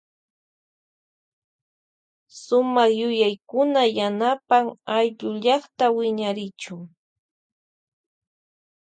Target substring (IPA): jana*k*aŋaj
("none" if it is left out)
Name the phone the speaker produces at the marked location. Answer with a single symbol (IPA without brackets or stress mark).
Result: p